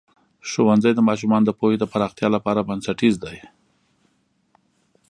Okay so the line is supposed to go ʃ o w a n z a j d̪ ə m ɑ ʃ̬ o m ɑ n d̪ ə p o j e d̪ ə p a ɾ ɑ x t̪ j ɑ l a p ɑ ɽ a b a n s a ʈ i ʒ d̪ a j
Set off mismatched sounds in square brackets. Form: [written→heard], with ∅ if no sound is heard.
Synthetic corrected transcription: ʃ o w a n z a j d̪ ə m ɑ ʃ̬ [o→u] m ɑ n d̪ ə p o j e d̪ ə p a ɾ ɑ x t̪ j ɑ l a p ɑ [ɽ→ɾ] a b a n s a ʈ i [ʒ→z] d̪ a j